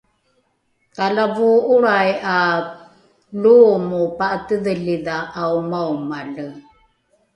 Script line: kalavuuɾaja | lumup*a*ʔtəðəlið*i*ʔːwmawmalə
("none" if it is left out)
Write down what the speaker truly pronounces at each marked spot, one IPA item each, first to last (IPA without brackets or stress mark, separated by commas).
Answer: a, a